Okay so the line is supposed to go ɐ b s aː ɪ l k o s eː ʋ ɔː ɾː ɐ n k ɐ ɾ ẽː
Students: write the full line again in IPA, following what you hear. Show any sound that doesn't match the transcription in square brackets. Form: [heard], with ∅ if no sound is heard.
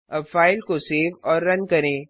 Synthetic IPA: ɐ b [f] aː ɪ l k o s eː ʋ ɔː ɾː ɐ n k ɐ ɾ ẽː